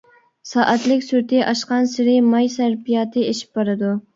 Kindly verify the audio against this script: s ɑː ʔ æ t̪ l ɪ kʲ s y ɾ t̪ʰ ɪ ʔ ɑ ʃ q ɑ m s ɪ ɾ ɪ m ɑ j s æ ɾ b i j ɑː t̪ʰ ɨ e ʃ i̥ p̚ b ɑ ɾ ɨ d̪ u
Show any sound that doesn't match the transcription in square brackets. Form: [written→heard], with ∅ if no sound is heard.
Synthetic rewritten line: s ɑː ʔ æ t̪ l ɪ kʲ s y ɾ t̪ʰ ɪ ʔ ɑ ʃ q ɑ [m→n] s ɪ ɾ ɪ m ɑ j s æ ɾ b i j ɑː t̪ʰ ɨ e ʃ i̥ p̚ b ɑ ɾ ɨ d̪ u